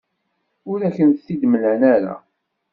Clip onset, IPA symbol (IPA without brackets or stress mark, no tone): ʊ